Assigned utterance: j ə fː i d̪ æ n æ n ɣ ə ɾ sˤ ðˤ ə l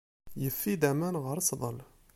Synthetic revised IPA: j ə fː i d̪ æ m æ n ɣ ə ɾ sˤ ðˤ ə l